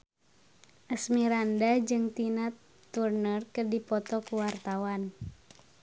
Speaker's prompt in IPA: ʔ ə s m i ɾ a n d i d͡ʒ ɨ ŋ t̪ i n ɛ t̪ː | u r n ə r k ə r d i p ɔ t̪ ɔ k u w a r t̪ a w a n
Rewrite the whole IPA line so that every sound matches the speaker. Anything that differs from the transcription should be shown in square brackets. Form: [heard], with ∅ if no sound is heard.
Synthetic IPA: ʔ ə s m i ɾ a n d [a] d͡ʒ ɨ ŋ t̪ i n [a] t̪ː | u r n ə r k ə r d i p ɔ t̪ ɔ k u w a r t̪ a w a n